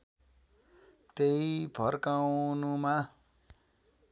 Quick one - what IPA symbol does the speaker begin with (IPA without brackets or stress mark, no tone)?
t̪